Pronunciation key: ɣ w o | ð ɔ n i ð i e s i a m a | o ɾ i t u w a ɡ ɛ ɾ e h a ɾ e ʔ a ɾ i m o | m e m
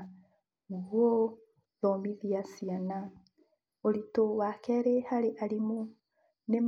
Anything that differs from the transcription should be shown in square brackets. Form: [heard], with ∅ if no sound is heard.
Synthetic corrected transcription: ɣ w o | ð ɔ [m] i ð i [a] s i a [n] a | o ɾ i t [o] w a [k] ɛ ɾ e h a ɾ e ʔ a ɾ i m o | [n] e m